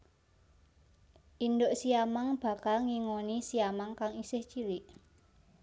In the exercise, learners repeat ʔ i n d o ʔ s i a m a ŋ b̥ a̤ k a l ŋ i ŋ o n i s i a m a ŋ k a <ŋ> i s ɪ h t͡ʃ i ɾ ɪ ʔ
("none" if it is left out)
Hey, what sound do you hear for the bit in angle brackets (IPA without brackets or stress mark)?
ŋ